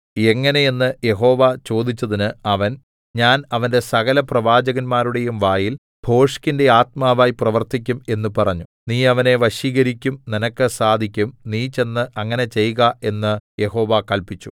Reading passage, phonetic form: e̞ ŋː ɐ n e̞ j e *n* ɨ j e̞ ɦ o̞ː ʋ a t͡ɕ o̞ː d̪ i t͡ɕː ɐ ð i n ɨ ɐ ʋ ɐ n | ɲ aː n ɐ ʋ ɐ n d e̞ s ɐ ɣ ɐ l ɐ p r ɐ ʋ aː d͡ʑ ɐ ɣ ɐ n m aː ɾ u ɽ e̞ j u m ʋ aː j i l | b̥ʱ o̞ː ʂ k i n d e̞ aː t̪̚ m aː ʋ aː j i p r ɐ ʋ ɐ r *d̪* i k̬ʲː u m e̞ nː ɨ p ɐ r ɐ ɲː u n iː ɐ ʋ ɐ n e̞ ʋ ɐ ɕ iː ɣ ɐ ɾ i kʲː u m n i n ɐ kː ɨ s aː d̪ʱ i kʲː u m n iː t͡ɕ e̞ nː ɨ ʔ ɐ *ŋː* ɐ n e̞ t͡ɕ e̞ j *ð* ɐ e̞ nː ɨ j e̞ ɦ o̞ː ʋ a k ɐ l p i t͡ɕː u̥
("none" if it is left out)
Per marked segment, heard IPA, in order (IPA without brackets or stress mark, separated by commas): nː, t̪, ŋː, ɣ